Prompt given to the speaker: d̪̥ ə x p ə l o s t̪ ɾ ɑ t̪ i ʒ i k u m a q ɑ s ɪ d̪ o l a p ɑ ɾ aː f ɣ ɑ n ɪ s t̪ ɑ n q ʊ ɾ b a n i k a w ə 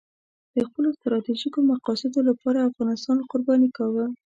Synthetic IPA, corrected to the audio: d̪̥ ə x p ə l o s t̪ ɾ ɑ t̪ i ʒ i k o m a q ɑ s ɪ d̪ o l a p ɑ ɾ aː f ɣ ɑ n ɪ s t̪ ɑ n q ʊ ɾ b ɑ n i k a w ə